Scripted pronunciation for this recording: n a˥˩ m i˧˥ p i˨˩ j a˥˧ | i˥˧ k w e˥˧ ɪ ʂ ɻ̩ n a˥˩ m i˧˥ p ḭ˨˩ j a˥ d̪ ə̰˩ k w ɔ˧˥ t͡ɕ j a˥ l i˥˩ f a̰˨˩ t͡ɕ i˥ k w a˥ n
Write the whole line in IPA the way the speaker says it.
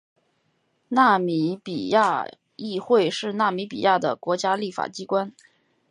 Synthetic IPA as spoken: n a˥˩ m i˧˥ p i˨˩ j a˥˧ | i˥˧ x w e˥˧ ɪ ʂ ɻ̩ n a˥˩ m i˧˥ p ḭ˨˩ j a˥˩ d̪ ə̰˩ k w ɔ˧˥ t͡ɕ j a˥ l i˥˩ f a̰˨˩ t͡ɕ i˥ k w a˥ n